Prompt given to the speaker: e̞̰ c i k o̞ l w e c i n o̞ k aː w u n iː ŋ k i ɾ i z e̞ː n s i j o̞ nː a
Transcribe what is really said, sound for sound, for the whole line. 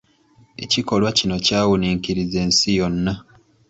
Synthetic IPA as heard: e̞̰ c i k o̞ l w a c i n o̞ c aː w u n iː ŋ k i ɾ i z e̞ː n s i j o̞ nː a